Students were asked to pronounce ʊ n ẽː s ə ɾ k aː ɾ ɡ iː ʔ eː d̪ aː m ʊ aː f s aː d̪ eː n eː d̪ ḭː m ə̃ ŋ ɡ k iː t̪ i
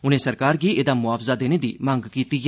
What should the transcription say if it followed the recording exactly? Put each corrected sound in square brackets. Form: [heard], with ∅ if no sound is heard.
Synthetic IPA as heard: ʊ n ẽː s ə ɾ k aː ɾ ɡ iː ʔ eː d̪ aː m ʊ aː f [z] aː d̪ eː n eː d̪ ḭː m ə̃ ŋ ɡ k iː t̪ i